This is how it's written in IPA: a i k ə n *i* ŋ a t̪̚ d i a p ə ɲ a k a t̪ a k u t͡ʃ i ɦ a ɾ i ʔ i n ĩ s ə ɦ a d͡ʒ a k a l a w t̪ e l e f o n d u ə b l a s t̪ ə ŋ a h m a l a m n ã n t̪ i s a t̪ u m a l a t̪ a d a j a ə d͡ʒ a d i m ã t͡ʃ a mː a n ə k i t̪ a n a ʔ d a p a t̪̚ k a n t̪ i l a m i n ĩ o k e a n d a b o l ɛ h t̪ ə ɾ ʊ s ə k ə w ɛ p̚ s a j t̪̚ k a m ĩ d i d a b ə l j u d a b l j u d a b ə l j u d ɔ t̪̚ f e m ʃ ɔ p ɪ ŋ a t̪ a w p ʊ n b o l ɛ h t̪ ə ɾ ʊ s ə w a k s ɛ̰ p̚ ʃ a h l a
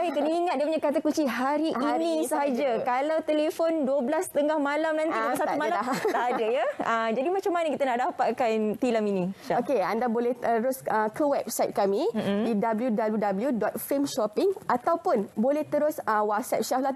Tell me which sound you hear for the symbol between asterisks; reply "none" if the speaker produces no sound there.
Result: i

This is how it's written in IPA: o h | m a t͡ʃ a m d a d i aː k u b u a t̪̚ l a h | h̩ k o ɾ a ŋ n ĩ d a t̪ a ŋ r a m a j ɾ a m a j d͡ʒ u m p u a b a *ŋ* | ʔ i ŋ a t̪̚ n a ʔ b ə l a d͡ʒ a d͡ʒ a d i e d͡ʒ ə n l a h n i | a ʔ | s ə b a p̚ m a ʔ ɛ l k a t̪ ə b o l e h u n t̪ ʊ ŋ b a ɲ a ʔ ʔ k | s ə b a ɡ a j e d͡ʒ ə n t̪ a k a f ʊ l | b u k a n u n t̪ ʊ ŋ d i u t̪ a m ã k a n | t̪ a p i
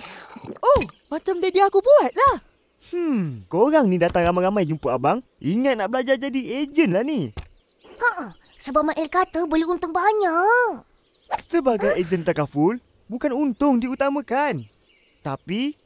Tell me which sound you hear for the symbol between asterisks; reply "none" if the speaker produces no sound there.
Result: ŋ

